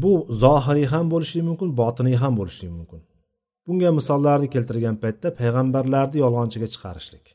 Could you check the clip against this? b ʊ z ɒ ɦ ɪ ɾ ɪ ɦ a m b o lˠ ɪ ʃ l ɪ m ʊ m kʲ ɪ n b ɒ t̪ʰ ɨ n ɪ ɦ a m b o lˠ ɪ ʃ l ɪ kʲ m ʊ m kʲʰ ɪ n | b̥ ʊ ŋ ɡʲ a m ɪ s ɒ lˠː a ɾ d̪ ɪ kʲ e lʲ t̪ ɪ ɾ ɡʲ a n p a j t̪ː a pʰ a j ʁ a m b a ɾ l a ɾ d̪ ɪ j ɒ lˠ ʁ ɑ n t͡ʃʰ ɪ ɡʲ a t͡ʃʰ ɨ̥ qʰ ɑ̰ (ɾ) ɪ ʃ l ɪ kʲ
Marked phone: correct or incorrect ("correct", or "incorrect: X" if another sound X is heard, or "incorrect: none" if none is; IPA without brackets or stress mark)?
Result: correct